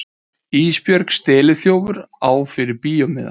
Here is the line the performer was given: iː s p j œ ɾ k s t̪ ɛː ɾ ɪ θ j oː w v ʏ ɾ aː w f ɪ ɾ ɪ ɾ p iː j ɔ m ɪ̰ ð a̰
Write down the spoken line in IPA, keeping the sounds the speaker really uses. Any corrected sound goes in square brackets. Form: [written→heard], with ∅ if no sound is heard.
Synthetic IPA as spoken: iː s p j œ ɾ k s t̪ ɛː [ɾ→l] ɪ θ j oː w v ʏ ɾ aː w f ɪ ɾ ɪ ɾ p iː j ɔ m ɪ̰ ð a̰